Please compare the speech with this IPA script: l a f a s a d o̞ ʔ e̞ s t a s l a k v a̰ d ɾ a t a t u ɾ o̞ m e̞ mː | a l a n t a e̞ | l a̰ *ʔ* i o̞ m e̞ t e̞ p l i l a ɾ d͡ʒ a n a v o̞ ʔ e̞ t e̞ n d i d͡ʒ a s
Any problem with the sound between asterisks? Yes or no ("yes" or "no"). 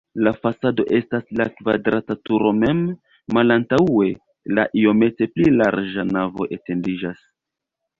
no